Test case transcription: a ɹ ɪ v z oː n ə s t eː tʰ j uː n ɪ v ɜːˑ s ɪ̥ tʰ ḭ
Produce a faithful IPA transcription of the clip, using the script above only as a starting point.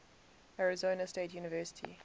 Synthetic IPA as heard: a ɹ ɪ z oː n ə s t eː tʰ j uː n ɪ v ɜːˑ s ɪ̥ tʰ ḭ